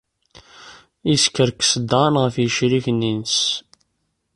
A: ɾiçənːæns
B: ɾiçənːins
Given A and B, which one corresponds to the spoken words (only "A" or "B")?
B